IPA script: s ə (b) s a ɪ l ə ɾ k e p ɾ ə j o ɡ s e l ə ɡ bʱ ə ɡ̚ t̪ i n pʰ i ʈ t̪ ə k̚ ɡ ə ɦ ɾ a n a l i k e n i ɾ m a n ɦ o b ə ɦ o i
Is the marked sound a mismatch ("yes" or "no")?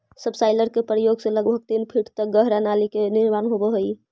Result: no